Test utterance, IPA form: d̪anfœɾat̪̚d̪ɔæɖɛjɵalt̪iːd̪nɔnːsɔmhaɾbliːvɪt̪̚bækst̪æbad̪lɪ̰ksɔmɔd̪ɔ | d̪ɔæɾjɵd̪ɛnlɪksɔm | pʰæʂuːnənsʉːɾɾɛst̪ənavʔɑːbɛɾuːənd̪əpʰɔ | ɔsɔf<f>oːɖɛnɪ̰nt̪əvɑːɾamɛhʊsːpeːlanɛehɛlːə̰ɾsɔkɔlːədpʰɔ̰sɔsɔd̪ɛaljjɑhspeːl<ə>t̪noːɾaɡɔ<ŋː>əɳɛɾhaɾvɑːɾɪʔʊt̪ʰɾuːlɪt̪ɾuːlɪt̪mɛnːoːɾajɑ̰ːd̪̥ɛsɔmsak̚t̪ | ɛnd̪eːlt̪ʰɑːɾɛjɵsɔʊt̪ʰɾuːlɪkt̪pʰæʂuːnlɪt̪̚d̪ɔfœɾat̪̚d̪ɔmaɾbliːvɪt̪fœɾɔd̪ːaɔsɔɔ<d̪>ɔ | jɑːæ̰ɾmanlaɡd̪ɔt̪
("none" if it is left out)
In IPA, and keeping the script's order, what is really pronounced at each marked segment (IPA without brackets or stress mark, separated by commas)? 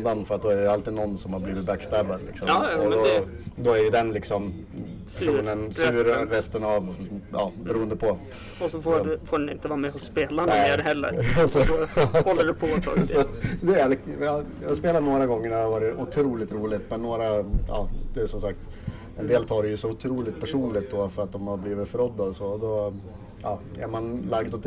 f, a, ŋː, d̪